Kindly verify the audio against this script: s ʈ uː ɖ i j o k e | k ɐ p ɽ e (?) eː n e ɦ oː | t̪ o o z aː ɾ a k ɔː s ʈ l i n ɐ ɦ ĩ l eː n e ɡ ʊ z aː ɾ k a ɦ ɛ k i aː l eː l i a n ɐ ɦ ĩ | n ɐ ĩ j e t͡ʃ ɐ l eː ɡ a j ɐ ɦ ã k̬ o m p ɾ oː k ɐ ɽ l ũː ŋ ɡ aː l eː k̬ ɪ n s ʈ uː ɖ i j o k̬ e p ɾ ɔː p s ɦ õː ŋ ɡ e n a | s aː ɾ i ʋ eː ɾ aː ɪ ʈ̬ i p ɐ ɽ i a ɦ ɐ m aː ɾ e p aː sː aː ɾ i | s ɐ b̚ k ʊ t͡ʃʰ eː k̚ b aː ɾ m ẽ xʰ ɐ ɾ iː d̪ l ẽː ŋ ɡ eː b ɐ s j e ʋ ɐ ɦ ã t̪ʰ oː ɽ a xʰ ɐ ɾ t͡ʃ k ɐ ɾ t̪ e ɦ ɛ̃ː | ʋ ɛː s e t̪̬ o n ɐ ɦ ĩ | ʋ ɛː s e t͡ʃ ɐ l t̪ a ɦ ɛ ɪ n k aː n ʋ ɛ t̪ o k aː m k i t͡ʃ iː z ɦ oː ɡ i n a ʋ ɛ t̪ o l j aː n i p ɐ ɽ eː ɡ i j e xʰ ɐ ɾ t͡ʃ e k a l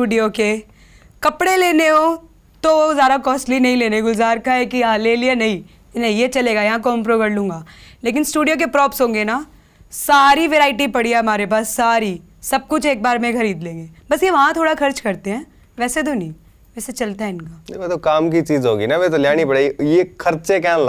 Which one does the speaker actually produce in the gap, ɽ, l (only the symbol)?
l